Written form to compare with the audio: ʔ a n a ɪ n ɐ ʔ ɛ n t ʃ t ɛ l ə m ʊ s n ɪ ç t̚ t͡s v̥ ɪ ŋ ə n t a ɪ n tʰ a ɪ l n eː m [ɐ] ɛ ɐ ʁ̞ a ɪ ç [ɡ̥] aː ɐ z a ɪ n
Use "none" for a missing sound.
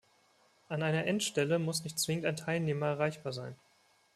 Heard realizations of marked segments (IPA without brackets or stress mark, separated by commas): ɐ, b̥